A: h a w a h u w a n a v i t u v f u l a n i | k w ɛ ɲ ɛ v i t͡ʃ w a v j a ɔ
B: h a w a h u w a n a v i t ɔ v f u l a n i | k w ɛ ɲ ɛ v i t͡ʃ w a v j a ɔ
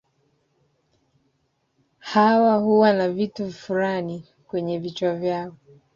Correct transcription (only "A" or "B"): A